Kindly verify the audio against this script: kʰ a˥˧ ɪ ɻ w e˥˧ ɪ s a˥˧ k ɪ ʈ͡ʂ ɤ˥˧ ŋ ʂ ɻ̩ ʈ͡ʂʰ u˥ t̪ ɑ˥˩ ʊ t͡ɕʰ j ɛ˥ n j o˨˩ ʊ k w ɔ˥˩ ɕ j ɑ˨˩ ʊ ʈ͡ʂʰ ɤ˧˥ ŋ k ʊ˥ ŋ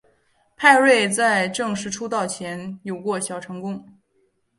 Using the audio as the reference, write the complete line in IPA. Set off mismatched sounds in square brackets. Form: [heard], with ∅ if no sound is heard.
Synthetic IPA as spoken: [pʰ] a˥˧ ɪ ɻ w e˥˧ ɪ [t͡s] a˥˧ [∅] ɪ ʈ͡ʂ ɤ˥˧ ŋ ʂ ɻ̩ ʈ͡ʂʰ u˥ t̪ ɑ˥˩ ʊ t͡ɕʰ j [ɛ˧˥] n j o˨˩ ʊ k w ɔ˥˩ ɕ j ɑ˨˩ ʊ ʈ͡ʂʰ ɤ˧˥ ŋ k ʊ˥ ŋ